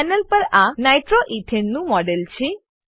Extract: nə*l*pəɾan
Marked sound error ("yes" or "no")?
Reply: no